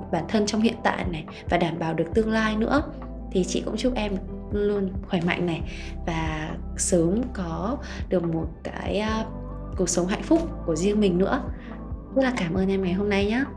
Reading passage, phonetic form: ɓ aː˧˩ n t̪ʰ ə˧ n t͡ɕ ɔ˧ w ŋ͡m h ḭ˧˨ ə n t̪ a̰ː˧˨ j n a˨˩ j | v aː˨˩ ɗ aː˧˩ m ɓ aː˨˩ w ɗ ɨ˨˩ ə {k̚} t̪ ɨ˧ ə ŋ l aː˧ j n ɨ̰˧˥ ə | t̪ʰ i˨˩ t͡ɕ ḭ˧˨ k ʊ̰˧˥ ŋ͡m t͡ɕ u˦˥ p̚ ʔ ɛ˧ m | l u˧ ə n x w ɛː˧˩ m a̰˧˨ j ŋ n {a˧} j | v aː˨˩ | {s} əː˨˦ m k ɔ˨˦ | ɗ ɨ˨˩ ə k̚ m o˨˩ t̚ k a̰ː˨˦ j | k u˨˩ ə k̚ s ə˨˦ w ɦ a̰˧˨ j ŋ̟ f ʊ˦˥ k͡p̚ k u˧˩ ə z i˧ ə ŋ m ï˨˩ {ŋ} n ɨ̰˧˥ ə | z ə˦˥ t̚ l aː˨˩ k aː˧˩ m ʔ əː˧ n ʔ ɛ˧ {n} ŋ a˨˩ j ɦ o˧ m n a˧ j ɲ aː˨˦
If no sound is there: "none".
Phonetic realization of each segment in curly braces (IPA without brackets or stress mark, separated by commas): k̚, a˨˩, s, ŋ, m